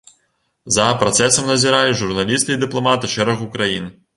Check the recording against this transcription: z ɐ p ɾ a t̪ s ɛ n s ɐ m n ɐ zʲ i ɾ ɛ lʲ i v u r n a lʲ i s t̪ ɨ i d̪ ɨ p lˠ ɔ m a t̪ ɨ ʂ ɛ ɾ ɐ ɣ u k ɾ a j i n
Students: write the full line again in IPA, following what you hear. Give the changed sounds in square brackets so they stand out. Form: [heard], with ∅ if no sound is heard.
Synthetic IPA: z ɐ p ɾ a t̪ s ɛ [∅] s ɐ m n ɐ zʲ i ɾ [a] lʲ i [ʐ] u r n a lʲ i s t̪ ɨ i d̪ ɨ p lˠ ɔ m a t̪ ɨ ʂ ɛ ɾ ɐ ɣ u k ɾ a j i n